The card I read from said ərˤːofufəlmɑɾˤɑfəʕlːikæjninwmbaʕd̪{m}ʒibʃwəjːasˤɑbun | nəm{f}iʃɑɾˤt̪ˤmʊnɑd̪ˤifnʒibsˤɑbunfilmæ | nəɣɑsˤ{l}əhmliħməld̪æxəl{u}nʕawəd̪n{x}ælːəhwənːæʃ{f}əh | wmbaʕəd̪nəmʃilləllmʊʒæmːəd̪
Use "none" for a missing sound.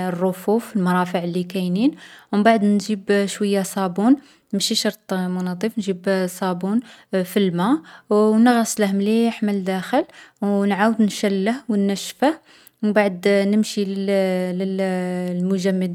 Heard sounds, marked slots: n, ʃ, l, w, ʃ, f

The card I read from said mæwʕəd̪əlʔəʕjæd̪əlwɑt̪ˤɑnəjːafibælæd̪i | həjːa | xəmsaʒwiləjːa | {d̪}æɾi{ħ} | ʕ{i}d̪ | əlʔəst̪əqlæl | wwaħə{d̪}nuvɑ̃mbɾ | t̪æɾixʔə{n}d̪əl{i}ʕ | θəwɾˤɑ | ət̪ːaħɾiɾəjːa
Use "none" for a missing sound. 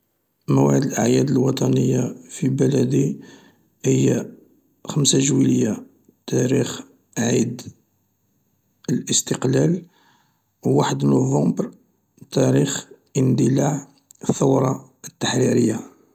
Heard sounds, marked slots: t̪, x, i, d̪, n, a

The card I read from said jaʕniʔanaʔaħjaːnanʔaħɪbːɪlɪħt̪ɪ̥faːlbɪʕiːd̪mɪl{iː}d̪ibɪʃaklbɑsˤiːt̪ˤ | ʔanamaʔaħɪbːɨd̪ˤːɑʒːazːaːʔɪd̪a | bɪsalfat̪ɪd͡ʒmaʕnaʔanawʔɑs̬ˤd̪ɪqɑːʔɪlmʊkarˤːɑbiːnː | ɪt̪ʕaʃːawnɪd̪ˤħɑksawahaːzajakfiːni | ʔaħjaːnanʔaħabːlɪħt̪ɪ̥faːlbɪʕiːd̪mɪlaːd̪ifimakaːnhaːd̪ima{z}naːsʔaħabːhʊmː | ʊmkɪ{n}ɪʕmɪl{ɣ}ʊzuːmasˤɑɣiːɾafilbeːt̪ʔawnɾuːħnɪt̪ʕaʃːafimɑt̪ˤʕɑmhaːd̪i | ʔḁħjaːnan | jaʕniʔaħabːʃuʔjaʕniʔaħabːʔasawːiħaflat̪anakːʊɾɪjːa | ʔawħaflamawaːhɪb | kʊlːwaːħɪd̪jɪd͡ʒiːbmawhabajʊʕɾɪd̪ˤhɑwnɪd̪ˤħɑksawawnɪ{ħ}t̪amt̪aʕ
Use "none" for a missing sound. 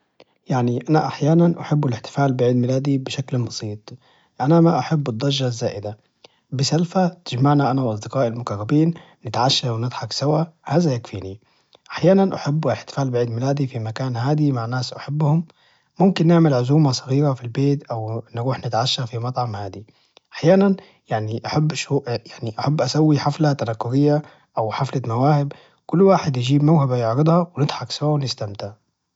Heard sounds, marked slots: aː, ʕ, nː, ʕ, s

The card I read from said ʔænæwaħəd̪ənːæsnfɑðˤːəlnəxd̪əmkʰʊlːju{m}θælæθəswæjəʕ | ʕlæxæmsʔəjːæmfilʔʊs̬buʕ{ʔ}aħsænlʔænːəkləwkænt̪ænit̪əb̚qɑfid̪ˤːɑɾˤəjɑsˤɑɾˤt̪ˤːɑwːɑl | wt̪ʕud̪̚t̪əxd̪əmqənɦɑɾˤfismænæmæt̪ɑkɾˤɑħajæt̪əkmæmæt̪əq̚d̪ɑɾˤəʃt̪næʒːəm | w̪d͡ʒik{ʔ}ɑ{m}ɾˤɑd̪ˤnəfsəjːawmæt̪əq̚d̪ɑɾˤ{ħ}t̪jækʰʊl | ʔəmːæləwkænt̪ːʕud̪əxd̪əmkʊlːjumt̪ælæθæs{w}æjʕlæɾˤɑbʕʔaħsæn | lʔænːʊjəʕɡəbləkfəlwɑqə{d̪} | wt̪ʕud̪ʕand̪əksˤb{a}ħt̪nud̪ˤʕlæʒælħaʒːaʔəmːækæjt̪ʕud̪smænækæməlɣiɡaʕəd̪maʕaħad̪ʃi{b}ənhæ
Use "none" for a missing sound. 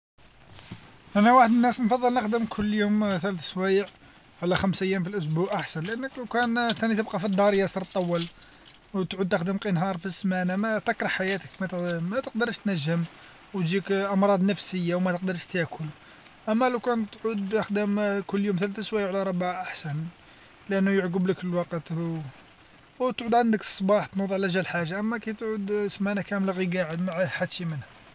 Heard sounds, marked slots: m, ʔ, ʔ, m, ʃ, w, t̪, ɑ, m

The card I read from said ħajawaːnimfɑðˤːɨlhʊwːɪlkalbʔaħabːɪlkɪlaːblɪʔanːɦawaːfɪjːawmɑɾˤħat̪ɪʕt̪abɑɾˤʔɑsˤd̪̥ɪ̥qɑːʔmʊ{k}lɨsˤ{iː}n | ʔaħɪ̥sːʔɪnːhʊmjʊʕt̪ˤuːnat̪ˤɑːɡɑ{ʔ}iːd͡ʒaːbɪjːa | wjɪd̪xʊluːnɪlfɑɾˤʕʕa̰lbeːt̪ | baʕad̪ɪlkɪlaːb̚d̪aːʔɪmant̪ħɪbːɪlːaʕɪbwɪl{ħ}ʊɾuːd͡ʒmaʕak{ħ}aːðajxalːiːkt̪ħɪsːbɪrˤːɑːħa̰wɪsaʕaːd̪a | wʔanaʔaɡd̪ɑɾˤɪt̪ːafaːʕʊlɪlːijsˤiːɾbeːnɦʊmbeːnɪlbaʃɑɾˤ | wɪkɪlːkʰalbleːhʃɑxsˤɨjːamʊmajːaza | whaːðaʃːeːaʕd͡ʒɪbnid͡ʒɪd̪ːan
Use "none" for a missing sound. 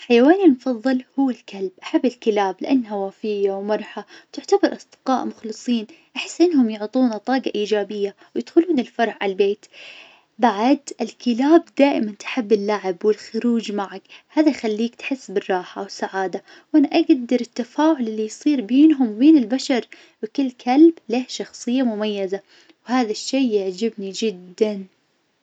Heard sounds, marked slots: x, iː, ʔ, x, h

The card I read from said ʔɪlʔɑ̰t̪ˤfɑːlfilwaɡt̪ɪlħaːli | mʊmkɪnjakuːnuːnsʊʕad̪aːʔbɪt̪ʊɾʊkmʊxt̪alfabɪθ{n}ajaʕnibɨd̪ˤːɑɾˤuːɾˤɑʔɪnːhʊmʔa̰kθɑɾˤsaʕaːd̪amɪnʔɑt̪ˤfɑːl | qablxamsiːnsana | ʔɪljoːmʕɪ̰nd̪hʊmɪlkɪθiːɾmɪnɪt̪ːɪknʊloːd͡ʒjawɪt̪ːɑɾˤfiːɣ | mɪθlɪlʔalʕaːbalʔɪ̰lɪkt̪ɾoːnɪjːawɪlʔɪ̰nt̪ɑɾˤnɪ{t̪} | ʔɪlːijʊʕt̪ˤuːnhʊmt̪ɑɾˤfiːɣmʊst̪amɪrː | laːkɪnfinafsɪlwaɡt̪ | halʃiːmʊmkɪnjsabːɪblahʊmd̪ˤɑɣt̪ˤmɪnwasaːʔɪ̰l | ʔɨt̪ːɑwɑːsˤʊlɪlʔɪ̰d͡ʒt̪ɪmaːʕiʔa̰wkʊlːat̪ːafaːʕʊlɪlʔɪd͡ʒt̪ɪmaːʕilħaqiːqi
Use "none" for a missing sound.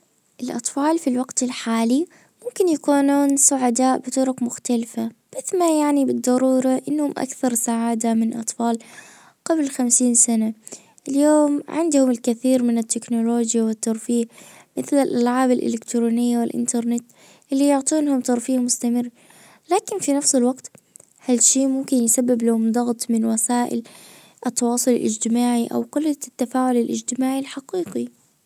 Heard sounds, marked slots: m, t̪

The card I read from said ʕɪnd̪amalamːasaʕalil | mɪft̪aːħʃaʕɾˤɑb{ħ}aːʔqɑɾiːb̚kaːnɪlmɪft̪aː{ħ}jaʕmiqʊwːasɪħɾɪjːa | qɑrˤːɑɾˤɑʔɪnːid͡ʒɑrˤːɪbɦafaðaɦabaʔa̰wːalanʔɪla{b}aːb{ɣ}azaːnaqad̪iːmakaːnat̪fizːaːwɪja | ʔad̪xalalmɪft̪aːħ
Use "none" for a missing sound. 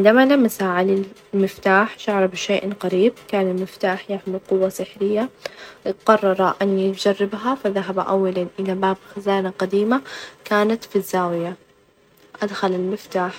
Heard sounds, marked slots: ʃ, ħ, b, x

